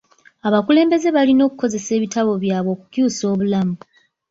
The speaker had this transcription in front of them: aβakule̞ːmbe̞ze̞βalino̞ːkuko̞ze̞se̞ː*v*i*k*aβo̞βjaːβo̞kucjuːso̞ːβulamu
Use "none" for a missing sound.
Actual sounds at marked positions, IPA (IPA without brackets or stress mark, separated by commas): β, t